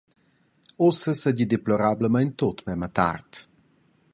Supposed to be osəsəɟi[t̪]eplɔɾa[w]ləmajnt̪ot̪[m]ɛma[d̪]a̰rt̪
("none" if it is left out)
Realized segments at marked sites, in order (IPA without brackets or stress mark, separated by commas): d̪, b, m, t̪